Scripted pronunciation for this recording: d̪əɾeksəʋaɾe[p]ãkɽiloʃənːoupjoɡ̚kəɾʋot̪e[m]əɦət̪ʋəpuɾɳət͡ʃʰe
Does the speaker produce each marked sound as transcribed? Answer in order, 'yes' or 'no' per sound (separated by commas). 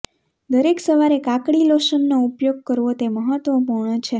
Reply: no, yes